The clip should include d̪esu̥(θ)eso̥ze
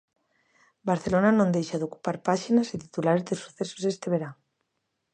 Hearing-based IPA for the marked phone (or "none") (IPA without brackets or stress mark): θ